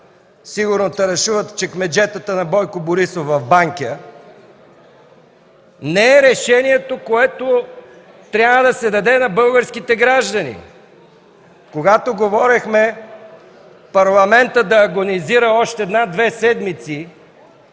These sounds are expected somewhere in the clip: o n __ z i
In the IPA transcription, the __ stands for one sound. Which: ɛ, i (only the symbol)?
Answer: i